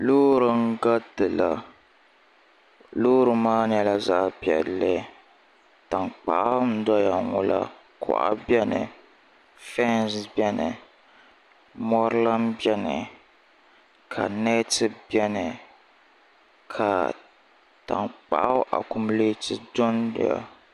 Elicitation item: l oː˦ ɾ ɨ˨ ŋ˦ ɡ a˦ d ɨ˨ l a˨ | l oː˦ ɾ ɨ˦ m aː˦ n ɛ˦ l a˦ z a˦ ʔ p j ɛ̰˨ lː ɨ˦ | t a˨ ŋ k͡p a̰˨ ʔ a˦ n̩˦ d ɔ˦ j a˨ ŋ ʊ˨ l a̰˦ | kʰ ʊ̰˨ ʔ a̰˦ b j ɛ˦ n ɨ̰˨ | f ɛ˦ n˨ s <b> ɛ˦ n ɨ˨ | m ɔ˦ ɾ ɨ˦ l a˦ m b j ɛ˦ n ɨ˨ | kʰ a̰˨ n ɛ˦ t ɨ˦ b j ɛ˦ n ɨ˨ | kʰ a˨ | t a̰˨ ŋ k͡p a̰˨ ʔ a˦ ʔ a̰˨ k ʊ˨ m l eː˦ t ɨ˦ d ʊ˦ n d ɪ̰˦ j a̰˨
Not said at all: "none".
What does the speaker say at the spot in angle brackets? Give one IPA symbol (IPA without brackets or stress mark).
b